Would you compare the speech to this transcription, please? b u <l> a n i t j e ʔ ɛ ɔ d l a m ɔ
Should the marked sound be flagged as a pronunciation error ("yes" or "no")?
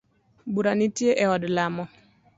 yes